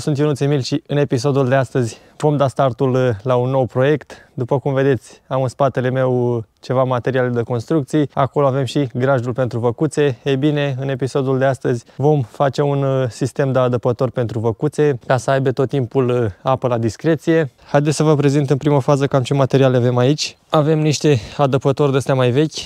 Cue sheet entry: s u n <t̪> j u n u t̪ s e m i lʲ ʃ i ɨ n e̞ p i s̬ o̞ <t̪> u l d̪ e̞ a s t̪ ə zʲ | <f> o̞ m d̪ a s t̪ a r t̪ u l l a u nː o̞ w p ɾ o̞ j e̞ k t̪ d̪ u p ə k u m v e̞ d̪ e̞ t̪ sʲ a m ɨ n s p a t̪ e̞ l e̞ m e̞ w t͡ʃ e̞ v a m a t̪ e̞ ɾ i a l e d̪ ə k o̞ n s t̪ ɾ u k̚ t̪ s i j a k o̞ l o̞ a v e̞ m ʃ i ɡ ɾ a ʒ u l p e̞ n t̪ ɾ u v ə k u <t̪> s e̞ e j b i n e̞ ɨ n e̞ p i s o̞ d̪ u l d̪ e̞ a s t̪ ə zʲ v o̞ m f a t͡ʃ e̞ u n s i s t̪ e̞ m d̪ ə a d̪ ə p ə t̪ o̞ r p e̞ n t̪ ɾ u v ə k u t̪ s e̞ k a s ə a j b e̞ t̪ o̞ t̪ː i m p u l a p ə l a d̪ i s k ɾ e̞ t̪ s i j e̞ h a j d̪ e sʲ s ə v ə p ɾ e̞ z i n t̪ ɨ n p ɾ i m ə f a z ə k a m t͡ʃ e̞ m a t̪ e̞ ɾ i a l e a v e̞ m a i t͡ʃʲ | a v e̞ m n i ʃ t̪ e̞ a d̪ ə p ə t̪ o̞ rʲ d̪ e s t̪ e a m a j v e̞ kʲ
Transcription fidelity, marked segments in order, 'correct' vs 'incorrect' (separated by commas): correct, incorrect, incorrect, correct